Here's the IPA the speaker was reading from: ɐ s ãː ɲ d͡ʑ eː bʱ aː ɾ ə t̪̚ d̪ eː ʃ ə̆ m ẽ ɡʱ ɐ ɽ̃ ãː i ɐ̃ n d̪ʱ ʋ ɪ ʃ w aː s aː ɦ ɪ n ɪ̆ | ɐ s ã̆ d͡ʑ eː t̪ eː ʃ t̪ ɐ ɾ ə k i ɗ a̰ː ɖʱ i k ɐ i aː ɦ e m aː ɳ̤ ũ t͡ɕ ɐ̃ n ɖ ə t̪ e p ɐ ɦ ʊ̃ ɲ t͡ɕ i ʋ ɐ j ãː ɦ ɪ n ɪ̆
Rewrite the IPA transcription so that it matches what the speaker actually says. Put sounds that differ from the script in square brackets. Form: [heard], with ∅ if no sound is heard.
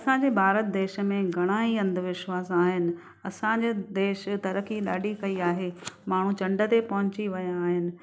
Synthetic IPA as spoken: ɐ s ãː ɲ d͡ʑ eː bʱ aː ɾ ə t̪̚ d̪ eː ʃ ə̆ m ẽ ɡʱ ɐ ɽ̃ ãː i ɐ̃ n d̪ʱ ʋ ɪ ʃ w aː s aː ɦ ɪ n ɪ̆ | ɐ s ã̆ d͡ʑ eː [d̪] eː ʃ t̪ ɐ ɾ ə k i ɗ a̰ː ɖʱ i k ɐ i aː ɦ e m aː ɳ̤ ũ t͡ɕ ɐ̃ [ɳ] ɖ ə t̪ e p ɐ ɦ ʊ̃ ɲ t͡ɕ i ʋ ɐ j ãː ɦ ɪ n ɪ̆

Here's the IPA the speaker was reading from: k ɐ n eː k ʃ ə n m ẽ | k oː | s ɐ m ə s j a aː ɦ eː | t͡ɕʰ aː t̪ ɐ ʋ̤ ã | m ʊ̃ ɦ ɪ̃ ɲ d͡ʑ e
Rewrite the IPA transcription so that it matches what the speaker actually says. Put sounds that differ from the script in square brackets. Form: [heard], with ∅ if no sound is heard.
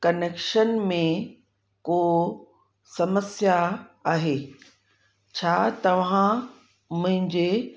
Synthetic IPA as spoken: k ɐ n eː k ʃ ə n m ẽ | k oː | s ɐ m ə s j a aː ɦ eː | t͡ɕʰ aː t̪ ɐ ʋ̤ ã | m ʊ̃ ɦ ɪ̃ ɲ d͡ʑ e

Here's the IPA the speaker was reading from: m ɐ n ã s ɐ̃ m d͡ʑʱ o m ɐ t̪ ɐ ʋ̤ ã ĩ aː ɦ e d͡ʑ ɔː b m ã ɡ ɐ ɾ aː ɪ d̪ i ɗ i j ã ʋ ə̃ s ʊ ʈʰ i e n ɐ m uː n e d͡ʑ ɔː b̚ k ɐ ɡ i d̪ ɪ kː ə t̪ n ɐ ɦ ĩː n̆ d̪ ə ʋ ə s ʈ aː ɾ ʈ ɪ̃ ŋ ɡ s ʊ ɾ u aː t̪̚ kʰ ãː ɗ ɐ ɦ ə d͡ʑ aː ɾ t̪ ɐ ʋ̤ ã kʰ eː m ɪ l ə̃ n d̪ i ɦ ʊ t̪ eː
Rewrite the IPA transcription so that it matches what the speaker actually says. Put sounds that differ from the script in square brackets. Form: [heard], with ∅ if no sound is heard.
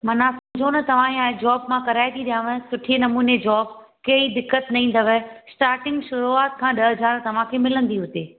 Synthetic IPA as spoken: m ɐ n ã s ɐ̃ m d͡ʑʱ o [n] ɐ t̪ ɐ ʋ̤ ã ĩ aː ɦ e d͡ʑ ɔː b m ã [k] ɐ ɾ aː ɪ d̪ i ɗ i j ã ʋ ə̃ s ʊ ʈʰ i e n ɐ m uː n e d͡ʑ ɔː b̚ k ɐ [∅] i d̪ ɪ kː ə t̪ n ɐ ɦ ĩː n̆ d̪ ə ʋ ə s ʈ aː ɾ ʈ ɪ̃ ŋ ɡ [ʃ] ʊ ɾ u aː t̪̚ kʰ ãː ɗ ɐ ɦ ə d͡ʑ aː ɾ t̪ ɐ ʋ̤ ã kʰ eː m ɪ l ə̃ n d̪ i ɦ ʊ t̪ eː

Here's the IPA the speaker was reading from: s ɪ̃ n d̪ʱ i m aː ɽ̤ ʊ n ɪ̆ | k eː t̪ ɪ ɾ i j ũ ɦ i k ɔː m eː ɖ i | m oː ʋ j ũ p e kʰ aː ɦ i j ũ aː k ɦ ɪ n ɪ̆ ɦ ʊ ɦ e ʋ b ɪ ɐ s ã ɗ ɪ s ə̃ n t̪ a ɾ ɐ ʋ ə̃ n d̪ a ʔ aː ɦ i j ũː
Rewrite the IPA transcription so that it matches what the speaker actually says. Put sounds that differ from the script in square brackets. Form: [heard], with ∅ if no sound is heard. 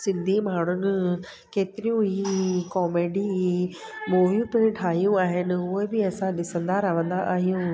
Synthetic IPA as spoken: s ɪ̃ n d̪ʱ i m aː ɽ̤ ʊ n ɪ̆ | k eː t̪ ɪ ɾ i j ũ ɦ i k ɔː m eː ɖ i | m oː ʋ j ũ p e [ʈʰ] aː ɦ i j ũ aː [∅] ɦ ɪ n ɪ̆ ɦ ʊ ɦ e [∅] b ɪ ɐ s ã ɗ ɪ s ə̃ n [d̪] a ɾ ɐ ʋ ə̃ n d̪ a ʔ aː ɦ i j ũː

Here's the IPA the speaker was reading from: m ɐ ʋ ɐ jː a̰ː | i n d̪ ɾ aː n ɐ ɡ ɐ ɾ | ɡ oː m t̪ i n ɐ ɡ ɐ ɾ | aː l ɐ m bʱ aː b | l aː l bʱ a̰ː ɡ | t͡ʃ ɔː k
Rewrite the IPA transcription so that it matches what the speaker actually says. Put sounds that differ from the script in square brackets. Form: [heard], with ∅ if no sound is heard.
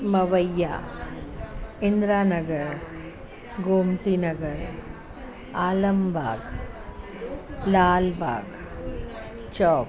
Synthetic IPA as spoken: m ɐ ʋ ɐ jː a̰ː | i n d̪ ɾ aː n ɐ ɡ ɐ ɾ | ɡ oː m t̪ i n ɐ ɡ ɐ ɾ | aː l ɐ m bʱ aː [ɡ] | l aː l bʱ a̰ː ɡ | t͡ʃ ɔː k

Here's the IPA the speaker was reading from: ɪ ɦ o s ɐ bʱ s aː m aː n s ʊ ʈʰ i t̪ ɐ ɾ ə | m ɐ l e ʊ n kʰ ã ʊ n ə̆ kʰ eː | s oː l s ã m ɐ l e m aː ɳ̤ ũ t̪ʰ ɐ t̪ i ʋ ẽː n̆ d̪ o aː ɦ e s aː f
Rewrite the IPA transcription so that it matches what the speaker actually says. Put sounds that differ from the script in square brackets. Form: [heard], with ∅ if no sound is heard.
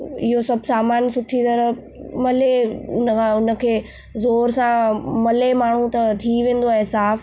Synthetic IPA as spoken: ɪ ɦ o s ɐ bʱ s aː m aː n s ʊ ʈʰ i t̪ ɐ ɾ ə | m ɐ l e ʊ n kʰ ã ʊ n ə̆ kʰ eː | [z] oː [ɾ] s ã m ɐ l e m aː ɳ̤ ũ [t̪] ɐ [t̪ʰ] i ʋ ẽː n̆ d̪ o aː ɦ e s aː f

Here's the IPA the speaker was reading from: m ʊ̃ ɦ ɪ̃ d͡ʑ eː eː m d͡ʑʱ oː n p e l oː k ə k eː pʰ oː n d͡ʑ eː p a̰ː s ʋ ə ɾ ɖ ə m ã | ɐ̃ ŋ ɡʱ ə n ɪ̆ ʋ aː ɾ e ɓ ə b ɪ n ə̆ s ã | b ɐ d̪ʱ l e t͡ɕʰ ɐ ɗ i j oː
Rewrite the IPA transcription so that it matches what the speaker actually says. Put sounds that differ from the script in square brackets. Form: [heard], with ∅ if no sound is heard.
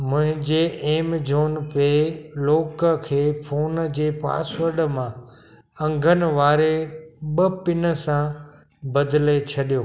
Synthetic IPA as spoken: m ʊ̃ ɦ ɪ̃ d͡ʑ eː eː m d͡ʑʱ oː n p e l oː k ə [kʰ] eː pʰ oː n d͡ʑ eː p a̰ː s ʋ ə ɾ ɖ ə m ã | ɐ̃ ŋ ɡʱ ə n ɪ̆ ʋ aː ɾ e ɓ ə [p] ɪ n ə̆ s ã | b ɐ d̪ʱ l e t͡ɕʰ ɐ ɗ i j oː

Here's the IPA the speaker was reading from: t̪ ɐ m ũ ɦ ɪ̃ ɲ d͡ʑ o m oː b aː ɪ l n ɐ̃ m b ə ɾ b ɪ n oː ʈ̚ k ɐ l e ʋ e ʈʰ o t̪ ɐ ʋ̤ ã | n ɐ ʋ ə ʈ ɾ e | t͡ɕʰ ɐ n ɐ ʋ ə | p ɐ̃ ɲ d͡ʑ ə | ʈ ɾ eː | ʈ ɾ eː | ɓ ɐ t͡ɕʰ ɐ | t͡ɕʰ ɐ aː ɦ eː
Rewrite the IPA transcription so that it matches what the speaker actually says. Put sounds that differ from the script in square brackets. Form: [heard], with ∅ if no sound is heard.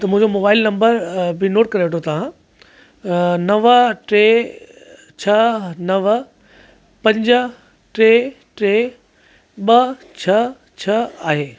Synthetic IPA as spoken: t̪ ɐ m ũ ɦ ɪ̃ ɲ d͡ʑ o m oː b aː ɪ l n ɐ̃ m b ə ɾ b ɪ n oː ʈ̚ k ɐ [ɾ] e ʋ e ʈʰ o t̪ ɐ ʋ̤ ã | n ɐ ʋ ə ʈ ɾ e | t͡ɕʰ ɐ n ɐ ʋ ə | p ɐ̃ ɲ d͡ʑ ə | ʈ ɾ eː | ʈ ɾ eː | ɓ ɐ t͡ɕʰ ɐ | t͡ɕʰ ɐ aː ɦ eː

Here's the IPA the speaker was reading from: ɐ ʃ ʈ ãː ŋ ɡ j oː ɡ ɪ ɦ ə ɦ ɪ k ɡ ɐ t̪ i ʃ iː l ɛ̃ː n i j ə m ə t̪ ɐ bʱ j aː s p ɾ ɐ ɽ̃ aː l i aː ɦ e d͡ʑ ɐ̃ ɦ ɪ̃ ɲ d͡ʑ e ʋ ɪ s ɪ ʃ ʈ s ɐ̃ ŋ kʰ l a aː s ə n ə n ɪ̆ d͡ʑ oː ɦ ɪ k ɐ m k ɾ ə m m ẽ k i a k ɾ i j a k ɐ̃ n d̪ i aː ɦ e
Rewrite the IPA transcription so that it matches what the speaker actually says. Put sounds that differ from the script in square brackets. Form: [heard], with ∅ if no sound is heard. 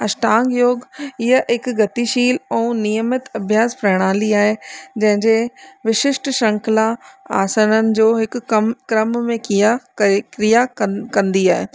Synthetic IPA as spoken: ɐ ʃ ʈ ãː ŋ ɡ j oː ɡ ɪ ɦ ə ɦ ɪ k ɡ ɐ t̪ i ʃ iː l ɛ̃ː n i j ə m ə t̪ ɐ bʱ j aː s p ɾ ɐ ɽ̃ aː l i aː ɦ e d͡ʑ ɐ̃ ɦ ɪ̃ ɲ d͡ʑ e ʋ ɪ [ʃ] ɪ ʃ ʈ [ʃ] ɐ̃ ŋ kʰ l a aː s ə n ə n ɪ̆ d͡ʑ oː ɦ ɪ k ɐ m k ɾ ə m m ẽ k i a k ɾ i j a k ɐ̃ n d̪ i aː ɦ e

